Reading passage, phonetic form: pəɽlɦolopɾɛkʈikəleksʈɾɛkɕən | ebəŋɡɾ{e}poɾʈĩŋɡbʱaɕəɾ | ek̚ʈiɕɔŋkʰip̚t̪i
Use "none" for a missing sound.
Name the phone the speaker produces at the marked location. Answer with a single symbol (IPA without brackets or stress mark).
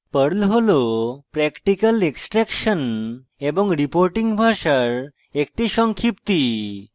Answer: i